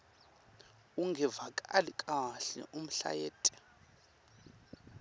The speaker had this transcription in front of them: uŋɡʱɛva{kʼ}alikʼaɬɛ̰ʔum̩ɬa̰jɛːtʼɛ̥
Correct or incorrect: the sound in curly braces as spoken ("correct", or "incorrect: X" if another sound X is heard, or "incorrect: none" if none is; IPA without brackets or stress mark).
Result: correct